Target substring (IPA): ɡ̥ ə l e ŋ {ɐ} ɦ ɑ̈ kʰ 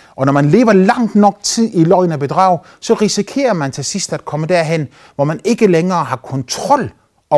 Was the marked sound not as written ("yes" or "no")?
yes